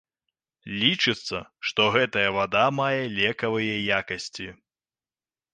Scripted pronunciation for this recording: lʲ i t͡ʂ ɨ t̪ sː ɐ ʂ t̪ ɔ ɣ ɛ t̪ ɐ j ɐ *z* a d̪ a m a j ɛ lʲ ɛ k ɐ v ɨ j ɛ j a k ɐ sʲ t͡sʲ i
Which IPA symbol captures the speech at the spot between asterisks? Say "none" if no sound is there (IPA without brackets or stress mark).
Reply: v